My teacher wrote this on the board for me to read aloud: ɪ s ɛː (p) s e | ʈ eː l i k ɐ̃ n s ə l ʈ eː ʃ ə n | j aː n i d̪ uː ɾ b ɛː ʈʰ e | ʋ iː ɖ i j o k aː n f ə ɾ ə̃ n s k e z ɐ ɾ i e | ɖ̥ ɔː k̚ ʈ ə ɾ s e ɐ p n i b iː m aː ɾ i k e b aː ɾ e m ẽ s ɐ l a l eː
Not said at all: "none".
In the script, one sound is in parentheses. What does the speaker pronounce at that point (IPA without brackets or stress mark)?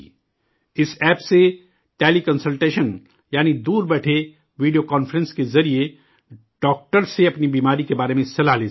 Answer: p